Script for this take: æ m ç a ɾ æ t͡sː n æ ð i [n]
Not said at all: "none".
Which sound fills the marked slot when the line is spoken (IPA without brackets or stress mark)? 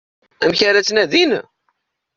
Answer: n